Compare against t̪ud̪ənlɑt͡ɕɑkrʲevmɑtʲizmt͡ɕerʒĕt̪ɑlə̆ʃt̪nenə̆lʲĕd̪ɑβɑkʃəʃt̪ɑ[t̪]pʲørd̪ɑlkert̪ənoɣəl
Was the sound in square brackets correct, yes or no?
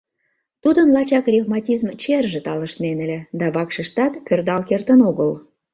yes